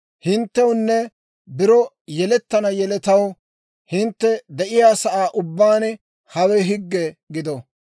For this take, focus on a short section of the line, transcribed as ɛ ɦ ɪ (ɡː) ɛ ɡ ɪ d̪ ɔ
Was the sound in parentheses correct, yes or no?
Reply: yes